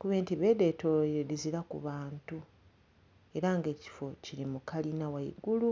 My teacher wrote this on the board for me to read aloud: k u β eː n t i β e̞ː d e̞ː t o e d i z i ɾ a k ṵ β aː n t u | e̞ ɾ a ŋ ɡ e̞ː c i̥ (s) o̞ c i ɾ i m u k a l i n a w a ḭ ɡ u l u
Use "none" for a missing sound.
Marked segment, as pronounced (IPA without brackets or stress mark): f